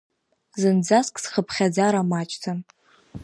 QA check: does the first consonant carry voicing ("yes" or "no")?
yes